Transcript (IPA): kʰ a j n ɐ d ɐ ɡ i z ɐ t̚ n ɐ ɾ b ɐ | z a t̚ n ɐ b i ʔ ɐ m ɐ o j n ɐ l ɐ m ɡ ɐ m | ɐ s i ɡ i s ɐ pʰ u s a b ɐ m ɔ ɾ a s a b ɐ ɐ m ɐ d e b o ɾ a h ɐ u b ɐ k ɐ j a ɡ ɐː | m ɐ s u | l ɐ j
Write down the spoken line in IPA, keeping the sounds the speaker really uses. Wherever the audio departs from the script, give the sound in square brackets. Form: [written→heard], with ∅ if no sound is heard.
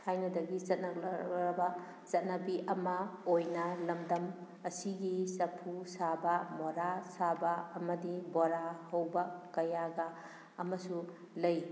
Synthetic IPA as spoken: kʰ a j n ɐ d ɐ ɡ i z ɐ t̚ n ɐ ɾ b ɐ | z [a→ɐ] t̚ n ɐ b i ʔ ɐ m ɐ o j n ɐ l ɐ m [ɡ→d] ɐ m | ɐ s i ɡ i s ɐ pʰ u s a b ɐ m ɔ ɾ a s a b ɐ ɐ m ɐ d [e→i] b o ɾ a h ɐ [u→w] b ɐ k ɐ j a ɡ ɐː | m ɐ s u | l ɐ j